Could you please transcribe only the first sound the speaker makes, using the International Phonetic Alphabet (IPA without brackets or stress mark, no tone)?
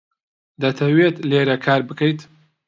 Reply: d̪